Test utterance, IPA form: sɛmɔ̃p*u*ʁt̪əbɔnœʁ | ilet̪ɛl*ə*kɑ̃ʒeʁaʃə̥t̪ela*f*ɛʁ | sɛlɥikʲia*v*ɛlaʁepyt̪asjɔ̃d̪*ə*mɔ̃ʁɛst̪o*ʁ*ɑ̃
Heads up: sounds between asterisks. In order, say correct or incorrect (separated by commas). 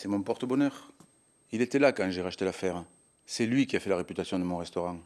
incorrect, incorrect, correct, incorrect, correct, correct